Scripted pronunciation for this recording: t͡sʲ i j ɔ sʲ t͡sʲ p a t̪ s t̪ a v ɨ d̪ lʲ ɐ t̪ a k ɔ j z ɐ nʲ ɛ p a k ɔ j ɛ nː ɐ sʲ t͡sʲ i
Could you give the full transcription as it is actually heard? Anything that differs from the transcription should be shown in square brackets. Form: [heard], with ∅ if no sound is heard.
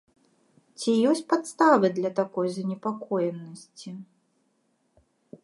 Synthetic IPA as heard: t͡sʲ i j ɔ sʲ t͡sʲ p a t̪ s t̪ a v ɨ d̪ lʲ ɐ t̪ a k ɔ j z ɐ nʲ ɛ p a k ɔ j ɛ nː ɐ sʲ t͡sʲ i